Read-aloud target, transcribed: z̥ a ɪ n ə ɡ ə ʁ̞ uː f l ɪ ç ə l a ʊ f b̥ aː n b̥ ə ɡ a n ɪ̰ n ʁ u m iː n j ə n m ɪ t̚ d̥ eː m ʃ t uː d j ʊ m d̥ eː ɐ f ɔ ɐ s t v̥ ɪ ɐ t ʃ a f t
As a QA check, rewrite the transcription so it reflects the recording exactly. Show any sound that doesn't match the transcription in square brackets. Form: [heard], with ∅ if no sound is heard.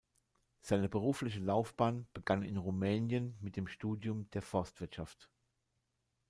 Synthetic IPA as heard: z̥ a ɪ n ə [b] ə ʁ̞ uː f l ɪ ç ə l a ʊ f b̥ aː n b̥ ə ɡ a n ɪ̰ n ʁ u m [ɛː] n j ə n m ɪ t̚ d̥ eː m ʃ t uː d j ʊ m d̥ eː ɐ f ɔ ɐ s t v̥ ɪ ɐ t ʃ a f t